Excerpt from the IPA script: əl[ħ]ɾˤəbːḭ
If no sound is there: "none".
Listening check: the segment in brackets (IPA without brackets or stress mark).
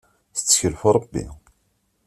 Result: f